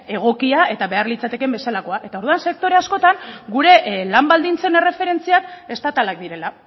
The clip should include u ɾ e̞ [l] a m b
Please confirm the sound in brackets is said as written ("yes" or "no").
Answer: yes